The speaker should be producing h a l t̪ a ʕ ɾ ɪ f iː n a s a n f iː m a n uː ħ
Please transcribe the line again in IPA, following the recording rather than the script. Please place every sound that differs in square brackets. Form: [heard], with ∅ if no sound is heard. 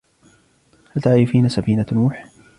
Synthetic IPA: h a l t̪ a ʕ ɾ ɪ f iː n a s a [∅] f iː [n] a n uː ħ